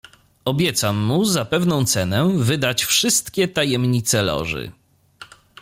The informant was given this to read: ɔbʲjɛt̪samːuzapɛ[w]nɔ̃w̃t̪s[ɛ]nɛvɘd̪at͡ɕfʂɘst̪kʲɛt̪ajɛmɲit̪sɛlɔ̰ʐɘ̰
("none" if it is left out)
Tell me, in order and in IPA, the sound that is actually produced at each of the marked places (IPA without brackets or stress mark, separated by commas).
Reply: v, ɛ